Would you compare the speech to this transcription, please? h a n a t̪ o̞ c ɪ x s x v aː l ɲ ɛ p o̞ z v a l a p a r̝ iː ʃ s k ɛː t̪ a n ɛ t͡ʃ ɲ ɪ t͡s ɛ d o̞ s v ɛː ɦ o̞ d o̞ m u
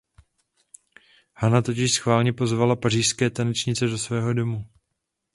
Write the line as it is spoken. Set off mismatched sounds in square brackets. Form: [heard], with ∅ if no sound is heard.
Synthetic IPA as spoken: h a n a t̪ o̞ c ɪ [ʃ] s x v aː l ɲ ɛ p o̞ z v a l a p a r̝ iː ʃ s k ɛː t̪ a n ɛ t͡ʃ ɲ ɪ t͡s ɛ d o̞ s v ɛː ɦ o̞ d o̞ m u